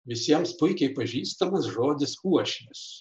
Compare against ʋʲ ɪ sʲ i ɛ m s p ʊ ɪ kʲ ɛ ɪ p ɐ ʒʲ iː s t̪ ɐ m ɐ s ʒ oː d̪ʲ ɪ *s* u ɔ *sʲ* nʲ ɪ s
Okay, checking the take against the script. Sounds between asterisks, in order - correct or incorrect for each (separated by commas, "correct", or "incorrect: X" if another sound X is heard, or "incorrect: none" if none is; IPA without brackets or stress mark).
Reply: correct, incorrect: ʃʲ